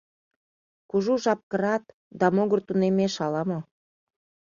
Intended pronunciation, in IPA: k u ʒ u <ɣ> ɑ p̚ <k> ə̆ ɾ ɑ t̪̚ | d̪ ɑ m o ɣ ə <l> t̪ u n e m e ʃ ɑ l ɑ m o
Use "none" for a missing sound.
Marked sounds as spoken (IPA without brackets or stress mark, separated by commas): ʒ, k, r